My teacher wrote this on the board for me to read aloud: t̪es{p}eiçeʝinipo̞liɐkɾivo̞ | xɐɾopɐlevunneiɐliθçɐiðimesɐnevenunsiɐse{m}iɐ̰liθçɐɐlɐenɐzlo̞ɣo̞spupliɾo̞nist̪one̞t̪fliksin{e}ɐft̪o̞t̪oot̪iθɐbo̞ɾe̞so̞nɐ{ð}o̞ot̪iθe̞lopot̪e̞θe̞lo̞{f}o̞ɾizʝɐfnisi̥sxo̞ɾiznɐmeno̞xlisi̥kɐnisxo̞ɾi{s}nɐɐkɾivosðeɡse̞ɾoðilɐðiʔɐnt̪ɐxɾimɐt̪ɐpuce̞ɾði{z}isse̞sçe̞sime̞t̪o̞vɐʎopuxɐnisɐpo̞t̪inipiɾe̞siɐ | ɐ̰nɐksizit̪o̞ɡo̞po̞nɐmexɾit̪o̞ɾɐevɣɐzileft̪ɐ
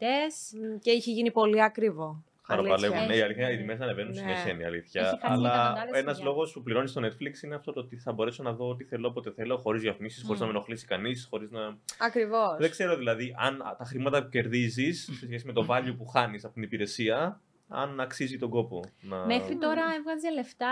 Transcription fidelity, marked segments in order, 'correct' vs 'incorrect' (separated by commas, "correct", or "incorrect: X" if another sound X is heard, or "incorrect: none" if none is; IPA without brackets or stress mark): incorrect: c, incorrect: n, correct, correct, incorrect: x, incorrect: z, correct